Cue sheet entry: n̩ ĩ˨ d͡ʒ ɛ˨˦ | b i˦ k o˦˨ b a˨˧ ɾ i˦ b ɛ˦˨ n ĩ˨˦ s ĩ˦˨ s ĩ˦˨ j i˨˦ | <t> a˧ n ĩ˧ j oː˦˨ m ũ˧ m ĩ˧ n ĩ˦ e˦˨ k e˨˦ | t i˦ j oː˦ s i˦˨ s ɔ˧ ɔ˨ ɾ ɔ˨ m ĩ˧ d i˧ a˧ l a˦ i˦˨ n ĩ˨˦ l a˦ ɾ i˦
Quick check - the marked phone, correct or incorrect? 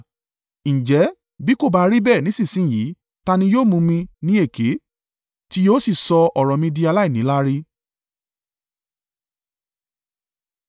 correct